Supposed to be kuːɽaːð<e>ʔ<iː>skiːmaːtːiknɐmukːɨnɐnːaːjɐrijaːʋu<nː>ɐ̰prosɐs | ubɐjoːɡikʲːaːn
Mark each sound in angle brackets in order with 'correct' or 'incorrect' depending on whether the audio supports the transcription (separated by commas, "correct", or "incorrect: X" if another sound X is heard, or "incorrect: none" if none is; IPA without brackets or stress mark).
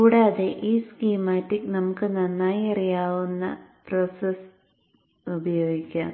correct, correct, correct